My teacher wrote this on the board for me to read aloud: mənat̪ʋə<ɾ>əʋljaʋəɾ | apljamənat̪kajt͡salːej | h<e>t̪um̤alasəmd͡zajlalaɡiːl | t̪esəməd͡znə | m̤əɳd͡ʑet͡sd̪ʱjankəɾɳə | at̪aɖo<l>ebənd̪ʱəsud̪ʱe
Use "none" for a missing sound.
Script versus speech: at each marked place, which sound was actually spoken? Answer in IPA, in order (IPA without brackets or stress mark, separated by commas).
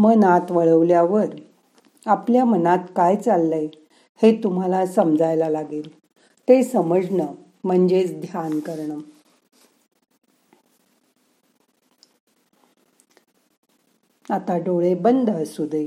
ɭ, e, ɭ